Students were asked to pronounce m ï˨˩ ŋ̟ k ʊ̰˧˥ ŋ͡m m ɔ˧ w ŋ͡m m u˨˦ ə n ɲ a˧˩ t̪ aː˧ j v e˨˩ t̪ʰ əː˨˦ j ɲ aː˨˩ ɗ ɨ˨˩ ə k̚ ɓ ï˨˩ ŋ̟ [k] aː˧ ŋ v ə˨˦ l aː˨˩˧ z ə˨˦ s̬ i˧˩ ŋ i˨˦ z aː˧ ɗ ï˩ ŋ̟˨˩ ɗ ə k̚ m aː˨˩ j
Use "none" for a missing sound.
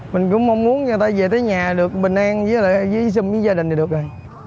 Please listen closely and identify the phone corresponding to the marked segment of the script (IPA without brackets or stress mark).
ʔ